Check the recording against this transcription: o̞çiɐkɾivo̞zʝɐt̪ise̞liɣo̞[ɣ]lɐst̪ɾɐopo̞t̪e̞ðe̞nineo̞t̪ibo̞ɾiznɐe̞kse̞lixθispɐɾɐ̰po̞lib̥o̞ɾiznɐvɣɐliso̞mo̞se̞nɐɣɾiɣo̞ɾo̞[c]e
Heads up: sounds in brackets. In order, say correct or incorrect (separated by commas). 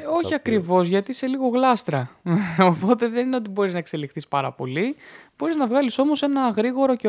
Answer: correct, correct